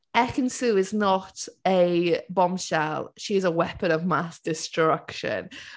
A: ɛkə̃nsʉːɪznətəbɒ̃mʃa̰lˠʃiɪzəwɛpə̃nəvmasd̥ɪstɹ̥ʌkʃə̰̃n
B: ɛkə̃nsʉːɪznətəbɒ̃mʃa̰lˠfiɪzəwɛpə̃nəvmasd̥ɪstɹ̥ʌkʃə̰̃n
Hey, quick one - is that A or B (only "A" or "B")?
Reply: A